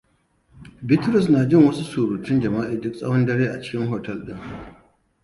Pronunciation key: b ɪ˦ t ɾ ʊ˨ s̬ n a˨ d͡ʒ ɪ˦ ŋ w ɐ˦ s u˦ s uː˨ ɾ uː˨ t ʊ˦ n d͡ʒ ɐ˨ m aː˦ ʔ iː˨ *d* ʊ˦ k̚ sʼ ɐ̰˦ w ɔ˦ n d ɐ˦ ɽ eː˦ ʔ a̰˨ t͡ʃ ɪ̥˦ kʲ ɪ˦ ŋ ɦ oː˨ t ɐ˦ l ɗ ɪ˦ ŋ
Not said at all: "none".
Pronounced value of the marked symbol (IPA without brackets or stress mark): d